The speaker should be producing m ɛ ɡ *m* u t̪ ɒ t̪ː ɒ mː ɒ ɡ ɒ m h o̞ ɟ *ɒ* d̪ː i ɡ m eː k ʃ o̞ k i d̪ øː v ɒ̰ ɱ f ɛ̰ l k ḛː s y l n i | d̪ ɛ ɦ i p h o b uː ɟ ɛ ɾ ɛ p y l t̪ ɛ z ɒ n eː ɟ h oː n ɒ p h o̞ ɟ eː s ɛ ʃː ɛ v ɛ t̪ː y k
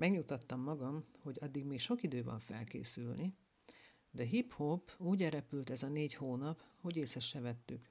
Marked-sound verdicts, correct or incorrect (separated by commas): incorrect, correct